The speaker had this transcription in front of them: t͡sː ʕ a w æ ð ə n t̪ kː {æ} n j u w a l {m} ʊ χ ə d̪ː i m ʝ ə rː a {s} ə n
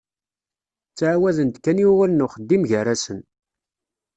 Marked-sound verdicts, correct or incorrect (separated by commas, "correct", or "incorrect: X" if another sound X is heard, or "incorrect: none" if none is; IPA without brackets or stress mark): correct, incorrect: n, correct